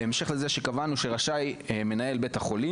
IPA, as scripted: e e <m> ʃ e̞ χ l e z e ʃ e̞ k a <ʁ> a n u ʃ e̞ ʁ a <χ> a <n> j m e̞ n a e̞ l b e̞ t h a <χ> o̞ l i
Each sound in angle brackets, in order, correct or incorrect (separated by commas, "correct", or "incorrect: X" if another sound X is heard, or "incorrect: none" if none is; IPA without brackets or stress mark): correct, incorrect: v, incorrect: ʃ, incorrect: none, correct